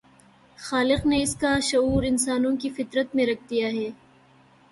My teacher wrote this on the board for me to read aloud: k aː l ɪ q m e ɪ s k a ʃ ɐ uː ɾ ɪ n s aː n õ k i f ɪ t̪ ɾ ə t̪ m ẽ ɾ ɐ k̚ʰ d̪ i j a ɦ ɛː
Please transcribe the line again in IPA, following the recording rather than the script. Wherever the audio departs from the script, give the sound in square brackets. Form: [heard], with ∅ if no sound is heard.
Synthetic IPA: [x] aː l ɪ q [n] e ɪ s k a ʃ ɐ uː ɾ ɪ n s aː n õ k i f ɪ t̪ ɾ ə t̪ m ẽ ɾ ɐ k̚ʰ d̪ i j a ɦ ɛː